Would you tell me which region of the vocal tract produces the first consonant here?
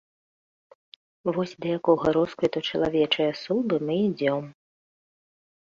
lips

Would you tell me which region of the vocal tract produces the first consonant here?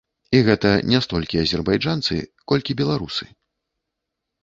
velum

